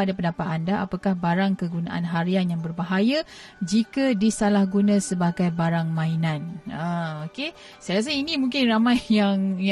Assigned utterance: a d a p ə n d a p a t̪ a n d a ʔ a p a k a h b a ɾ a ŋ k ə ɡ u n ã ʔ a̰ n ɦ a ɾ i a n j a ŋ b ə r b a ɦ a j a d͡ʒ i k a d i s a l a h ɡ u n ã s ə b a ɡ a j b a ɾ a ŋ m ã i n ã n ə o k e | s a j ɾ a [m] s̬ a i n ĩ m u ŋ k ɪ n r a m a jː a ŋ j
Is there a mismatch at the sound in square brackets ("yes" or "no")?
yes